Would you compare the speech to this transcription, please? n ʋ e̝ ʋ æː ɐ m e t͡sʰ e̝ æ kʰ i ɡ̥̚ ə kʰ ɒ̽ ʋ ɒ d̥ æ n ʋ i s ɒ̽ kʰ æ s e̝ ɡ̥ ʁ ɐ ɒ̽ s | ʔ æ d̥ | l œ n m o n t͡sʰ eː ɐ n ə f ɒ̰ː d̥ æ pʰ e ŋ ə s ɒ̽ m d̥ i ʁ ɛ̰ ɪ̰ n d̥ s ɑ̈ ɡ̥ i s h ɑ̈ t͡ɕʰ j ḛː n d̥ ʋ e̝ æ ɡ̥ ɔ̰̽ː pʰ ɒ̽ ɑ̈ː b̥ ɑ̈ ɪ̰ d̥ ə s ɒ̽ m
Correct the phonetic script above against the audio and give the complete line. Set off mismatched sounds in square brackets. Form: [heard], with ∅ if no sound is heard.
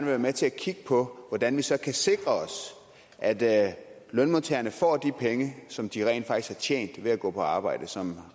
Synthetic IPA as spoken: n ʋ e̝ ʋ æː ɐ m e t͡sʰ e̝ æ kʰ i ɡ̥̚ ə [pʰ] ɒ̽ ʋ ɒ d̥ æ n ʋ i s ɒ̽ kʰ æ s e̝ ɡ̥ ʁ ɐ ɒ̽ s | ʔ æ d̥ | l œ n m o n t͡sʰ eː ɐ n ə f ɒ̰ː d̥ [i] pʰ e ŋ ə s ɒ̽ m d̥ i ʁ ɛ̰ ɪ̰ n d̥ [f] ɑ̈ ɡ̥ i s h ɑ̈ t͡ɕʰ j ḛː n d̥ ʋ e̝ æ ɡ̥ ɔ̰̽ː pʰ ɒ̽ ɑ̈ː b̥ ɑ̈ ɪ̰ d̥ ə s ɒ̽ m